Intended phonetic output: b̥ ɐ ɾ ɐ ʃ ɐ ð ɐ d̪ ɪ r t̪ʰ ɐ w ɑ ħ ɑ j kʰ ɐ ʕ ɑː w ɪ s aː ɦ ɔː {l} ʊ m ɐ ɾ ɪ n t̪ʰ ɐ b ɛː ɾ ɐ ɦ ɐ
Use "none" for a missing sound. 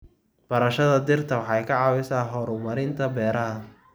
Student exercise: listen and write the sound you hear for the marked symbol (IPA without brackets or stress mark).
ɾ